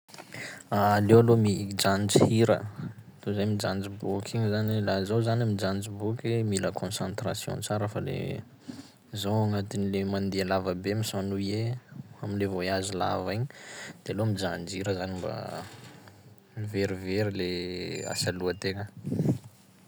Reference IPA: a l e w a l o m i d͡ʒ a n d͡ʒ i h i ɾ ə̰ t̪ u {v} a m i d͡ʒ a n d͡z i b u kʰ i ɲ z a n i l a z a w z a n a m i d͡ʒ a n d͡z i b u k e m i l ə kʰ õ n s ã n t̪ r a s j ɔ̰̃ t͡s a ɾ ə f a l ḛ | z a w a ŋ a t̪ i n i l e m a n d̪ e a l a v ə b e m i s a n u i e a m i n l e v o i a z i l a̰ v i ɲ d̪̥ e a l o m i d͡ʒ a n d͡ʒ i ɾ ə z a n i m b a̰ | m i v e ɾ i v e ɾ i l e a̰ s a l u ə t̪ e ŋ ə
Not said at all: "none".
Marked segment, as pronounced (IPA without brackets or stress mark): z